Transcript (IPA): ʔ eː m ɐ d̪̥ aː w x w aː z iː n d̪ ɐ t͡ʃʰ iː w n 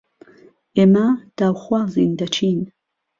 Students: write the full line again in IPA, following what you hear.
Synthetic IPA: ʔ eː m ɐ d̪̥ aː w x w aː z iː n d̪ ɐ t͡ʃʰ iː n